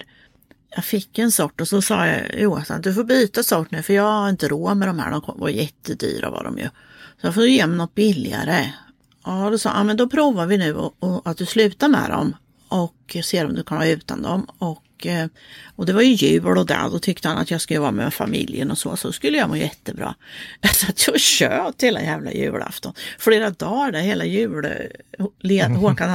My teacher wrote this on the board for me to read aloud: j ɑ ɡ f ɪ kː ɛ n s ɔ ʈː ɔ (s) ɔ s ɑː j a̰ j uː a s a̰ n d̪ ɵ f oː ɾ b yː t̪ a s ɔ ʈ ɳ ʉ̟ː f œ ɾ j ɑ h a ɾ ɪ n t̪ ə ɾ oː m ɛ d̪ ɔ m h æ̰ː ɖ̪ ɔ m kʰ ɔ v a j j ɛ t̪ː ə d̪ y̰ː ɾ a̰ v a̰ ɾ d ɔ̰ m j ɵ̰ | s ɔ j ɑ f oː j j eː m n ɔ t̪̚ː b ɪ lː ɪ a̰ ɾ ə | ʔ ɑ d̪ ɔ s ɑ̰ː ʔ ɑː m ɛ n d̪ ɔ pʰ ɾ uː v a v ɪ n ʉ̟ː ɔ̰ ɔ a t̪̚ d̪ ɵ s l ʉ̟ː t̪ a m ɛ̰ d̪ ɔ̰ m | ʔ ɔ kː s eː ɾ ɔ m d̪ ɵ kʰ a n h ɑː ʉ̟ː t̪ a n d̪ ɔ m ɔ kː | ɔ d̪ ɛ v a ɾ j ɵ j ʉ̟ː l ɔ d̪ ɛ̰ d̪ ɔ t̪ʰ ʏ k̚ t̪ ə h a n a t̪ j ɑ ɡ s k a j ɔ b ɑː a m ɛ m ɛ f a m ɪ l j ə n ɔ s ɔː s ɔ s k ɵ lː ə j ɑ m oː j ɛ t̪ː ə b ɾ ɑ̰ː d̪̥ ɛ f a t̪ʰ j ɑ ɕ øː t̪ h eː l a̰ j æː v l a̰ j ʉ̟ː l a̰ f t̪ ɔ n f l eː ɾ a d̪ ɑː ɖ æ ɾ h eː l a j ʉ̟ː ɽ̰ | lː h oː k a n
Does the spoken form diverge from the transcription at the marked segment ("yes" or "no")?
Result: no